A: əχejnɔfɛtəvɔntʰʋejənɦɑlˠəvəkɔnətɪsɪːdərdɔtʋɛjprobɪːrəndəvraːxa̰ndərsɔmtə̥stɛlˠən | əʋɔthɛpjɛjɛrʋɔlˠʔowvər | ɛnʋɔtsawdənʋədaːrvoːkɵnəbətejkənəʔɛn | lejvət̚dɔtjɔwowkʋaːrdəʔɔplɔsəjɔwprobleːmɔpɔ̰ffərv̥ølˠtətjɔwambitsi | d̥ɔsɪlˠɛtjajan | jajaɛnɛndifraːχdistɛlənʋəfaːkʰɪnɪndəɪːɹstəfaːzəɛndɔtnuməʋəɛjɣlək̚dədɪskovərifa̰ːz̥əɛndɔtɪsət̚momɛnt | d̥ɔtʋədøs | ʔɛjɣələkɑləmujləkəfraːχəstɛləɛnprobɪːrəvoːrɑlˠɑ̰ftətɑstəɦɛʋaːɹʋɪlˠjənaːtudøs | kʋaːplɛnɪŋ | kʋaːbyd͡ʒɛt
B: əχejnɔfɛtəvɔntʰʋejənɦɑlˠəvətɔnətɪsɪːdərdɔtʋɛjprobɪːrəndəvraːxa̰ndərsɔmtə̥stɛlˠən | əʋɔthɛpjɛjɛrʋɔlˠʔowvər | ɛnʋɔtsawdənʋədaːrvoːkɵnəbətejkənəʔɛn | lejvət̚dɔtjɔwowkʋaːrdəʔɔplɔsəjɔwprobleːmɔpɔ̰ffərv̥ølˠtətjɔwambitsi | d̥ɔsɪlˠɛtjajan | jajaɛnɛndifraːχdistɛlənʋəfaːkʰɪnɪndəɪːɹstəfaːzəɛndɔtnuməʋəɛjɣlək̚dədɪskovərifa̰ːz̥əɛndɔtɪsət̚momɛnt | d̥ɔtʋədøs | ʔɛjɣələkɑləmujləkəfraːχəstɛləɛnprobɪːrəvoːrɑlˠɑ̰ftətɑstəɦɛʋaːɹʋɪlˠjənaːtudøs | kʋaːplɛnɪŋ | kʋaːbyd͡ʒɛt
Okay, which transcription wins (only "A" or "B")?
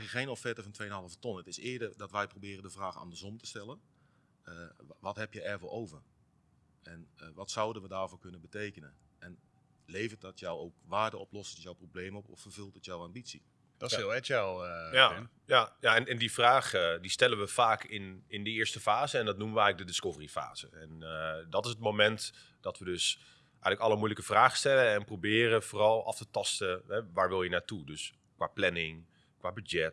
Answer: B